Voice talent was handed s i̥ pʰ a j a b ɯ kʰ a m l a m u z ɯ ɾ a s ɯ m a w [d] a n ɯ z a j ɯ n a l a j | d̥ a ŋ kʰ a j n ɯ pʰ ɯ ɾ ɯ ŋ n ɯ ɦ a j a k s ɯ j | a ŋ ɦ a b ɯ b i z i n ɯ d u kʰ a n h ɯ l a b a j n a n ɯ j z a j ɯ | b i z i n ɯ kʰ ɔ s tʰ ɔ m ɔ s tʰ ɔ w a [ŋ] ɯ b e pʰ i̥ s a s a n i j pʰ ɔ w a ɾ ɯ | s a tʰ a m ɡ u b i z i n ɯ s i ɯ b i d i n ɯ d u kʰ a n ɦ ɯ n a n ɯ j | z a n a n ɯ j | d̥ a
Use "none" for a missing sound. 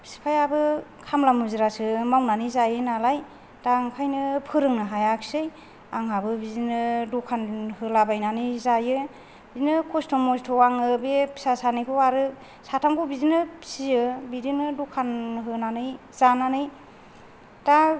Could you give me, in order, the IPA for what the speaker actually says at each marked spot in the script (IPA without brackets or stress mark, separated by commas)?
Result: n, ŋ